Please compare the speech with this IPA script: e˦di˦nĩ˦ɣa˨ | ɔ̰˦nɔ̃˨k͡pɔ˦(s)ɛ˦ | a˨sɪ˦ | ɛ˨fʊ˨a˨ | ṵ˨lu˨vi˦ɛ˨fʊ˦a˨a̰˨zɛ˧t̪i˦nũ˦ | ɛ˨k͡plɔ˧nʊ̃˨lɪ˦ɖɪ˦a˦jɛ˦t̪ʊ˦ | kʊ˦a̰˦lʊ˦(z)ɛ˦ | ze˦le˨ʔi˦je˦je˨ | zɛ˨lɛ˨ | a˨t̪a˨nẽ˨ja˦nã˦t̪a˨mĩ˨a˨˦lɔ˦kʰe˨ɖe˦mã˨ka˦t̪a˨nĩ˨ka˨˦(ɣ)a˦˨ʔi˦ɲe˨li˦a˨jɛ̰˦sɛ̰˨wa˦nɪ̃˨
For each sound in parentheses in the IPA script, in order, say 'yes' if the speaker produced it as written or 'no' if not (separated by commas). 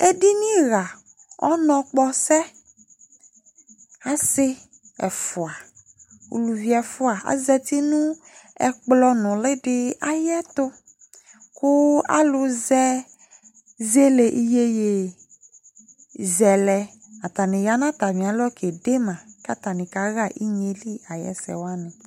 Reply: yes, yes, yes